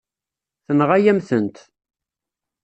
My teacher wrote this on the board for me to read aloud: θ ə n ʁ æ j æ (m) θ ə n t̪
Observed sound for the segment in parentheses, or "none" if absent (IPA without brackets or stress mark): m